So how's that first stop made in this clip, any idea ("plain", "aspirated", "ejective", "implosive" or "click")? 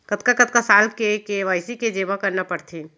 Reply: plain